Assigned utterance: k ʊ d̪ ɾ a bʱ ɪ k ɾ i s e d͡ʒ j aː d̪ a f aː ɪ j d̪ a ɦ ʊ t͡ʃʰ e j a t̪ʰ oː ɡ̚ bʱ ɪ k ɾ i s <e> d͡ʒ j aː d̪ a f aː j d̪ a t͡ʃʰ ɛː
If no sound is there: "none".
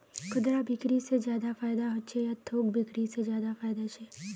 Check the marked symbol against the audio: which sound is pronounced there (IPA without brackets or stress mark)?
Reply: e